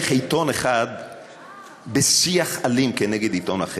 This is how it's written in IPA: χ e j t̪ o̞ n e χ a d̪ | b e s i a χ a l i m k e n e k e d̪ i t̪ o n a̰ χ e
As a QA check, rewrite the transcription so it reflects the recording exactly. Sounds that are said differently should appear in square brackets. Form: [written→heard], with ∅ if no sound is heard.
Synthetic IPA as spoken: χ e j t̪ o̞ n e χ a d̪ | b e s i a χ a l i m k e n e [k→ɡ] e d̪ i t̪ o n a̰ χ e